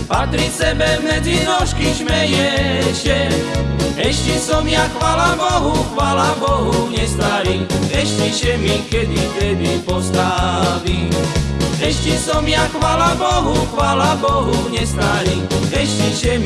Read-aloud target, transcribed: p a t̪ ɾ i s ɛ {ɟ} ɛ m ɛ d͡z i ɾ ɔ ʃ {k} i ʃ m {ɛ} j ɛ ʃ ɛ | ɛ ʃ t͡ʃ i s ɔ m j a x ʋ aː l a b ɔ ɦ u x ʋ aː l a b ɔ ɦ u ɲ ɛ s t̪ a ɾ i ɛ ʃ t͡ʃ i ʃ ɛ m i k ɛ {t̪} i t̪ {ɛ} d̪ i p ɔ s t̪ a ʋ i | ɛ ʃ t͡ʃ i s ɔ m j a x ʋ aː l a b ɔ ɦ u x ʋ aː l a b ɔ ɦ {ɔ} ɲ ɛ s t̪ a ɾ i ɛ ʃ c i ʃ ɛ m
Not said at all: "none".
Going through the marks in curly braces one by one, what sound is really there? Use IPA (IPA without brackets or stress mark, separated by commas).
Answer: b, k, ɛ, d̪, ɛ, u